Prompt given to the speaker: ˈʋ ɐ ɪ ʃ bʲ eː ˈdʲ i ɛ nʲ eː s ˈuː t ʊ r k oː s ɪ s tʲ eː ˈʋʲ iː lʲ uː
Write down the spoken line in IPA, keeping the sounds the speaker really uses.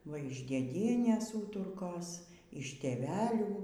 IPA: ˈʋ ɐ ɪ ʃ dʲ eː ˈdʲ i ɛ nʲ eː s ˈuː t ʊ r k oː s ɪ ʃ tʲ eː ˈʋʲ æː lʲ uː

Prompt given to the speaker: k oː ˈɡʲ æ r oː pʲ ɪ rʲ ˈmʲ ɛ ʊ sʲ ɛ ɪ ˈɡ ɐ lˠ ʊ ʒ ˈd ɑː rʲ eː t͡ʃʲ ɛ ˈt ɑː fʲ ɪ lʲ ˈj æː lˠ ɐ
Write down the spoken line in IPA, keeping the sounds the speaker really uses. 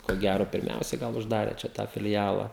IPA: k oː ˈɡʲ æ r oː pʲ ɪ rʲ ˈmʲ ɛ ʊ sʲ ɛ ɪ ˈɡ ɐ lˠ ʊ ʒ ˈd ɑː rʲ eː t͡ʃʲ ɛ ˈt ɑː fʲ ɪ lʲ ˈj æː lˠ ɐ

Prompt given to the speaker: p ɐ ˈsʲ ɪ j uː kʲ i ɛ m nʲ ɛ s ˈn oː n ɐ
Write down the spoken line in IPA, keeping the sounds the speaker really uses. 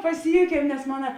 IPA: p ɐ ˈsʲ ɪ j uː kʲ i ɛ m nʲ ɛ s ˈm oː n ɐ

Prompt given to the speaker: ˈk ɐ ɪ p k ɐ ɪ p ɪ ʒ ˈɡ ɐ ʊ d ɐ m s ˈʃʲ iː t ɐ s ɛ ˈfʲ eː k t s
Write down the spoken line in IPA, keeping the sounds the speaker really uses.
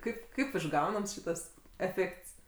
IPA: ˈk ɐ ɪ p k ɐ ɪ p ɪ ʒ ˈɡ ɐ ʊ n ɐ m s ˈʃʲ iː t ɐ s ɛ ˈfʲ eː k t s

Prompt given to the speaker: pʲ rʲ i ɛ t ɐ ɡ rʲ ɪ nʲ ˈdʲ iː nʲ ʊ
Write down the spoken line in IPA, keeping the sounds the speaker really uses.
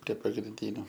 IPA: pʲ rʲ i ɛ p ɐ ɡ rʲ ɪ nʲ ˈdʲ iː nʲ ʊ

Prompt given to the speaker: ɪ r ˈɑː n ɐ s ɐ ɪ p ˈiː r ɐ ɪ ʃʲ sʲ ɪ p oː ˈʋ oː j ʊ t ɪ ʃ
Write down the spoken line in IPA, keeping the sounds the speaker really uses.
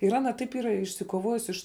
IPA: ɪ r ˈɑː n ɐ t ɐ ɪ p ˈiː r ɐ ɪ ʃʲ sʲ ɪ k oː ˈʋ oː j ʊ s ɪ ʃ

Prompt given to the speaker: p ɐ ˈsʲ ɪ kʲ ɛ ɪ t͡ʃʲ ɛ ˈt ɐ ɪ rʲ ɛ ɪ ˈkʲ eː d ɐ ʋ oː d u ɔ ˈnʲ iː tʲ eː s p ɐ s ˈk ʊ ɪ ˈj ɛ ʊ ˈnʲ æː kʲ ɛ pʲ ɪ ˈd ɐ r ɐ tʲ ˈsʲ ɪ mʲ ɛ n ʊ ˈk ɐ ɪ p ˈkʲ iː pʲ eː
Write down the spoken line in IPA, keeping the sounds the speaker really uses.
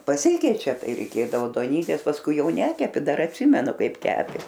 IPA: p ɐ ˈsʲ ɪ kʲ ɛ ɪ t͡ʃʲ ɛ ˈt ɐ ɪ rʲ ɛ ɪ ˈkʲ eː d ɐ ʋ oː d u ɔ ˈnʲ iː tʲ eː s p ɐ s ˈk ʊ ɪ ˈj ɛ ʊ ˈnʲ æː kʲ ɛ pʲ ɪ ˈd ɐ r ɐ tʲ ˈsʲ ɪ mʲ ɛ n ʊ ˈk ɐ ɪ p ˈkʲ æː pʲ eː

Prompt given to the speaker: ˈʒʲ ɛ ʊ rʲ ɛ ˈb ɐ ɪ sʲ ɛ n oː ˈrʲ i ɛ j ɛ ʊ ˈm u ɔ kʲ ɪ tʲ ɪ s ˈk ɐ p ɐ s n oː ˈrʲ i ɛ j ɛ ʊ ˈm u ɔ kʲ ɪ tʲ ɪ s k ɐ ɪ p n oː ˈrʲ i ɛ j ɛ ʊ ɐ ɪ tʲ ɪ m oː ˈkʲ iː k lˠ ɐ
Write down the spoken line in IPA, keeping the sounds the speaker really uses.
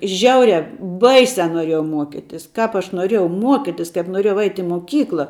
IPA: ˈʒʲ ɛ ʊ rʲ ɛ ˈb ɐ ɪ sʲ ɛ n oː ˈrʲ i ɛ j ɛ ʊ ˈm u ɔ kʲ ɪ tʲ ɪ s ˈk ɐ p ɐ ʃ n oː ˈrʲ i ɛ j ɛ ʊ ˈm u ɔ kʲ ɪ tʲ ɪ s k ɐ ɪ p n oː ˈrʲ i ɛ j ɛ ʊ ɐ ɪ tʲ ɪ m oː ˈkʲ iː k lˠ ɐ

